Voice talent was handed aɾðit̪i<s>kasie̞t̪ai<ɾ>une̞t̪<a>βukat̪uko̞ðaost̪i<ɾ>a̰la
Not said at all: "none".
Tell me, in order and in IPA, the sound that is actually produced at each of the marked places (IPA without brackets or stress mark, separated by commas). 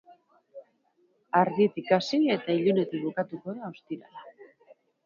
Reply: none, ʎ, i, ɾ